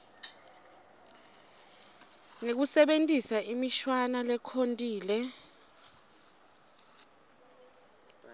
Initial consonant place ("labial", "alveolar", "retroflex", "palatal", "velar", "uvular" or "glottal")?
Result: velar